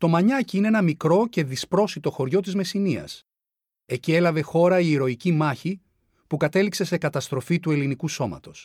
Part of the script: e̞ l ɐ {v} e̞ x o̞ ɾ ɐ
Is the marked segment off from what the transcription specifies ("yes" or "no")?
no